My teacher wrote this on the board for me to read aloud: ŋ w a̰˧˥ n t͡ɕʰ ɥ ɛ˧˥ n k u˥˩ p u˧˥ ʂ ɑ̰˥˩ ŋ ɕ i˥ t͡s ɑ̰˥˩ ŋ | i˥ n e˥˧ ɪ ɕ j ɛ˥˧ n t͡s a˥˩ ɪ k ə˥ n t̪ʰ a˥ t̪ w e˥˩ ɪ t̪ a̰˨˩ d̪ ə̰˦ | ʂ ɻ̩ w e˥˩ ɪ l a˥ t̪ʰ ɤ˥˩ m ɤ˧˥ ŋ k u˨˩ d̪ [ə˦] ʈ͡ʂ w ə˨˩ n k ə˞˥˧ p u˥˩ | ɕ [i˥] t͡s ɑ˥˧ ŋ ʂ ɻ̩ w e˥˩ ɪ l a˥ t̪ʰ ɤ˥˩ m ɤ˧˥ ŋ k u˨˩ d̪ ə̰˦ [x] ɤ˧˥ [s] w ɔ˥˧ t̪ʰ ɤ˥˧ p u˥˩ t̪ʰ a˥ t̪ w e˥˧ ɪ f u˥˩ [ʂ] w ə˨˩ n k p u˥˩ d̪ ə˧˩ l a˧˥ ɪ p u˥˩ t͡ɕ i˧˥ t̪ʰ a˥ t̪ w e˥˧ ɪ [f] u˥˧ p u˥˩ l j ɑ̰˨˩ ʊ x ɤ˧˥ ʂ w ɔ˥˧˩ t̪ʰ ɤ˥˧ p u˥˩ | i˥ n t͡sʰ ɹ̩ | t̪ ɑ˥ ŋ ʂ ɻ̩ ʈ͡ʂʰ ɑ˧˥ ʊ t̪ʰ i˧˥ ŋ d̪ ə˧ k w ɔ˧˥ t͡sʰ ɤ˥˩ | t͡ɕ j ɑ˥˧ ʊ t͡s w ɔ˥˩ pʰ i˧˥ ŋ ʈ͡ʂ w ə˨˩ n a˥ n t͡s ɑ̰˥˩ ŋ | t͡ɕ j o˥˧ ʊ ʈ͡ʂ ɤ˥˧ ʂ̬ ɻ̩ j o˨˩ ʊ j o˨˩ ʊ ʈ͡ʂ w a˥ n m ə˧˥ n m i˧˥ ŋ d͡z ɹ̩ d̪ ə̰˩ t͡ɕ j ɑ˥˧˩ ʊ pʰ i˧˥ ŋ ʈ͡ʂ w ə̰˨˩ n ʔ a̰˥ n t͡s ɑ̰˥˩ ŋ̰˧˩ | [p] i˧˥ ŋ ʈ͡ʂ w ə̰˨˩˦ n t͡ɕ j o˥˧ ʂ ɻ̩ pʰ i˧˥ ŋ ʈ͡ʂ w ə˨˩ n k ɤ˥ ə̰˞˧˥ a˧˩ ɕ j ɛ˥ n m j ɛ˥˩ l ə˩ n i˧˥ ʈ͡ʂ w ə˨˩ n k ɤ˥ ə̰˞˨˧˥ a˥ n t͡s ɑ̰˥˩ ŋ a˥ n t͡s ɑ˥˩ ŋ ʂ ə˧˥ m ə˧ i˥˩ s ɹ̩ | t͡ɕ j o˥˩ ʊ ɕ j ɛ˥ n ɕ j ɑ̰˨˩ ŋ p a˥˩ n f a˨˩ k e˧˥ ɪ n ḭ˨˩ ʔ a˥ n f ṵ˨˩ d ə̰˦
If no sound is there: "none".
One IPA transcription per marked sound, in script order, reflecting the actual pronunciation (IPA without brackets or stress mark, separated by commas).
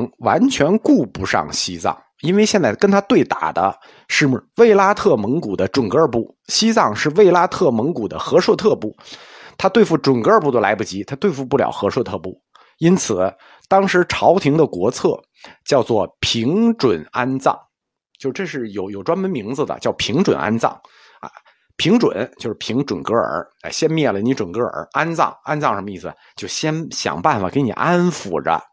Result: ə˦, i˥, x, ʂ, ʈ͡ʂ, f, pʰ